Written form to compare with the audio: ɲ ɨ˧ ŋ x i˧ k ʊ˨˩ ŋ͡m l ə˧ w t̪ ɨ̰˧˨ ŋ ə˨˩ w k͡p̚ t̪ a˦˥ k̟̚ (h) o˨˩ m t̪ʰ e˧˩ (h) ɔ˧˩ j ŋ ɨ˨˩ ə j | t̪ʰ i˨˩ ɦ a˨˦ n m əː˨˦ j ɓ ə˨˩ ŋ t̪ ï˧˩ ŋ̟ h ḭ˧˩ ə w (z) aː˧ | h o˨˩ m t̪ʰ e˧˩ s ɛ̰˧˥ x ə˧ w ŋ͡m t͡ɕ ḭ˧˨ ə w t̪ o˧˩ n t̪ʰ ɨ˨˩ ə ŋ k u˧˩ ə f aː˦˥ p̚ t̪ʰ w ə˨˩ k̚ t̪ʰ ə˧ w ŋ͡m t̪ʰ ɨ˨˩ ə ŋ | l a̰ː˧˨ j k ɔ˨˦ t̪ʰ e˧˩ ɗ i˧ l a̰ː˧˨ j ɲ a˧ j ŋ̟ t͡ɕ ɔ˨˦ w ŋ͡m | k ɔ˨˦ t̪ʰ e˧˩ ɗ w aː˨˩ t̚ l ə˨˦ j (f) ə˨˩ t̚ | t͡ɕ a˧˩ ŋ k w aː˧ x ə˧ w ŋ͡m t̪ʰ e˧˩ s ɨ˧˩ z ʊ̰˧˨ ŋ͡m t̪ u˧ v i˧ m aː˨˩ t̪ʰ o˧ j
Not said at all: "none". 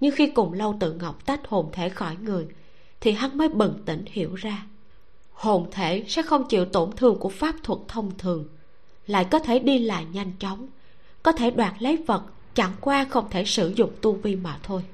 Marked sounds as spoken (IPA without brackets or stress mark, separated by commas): h, x, z, v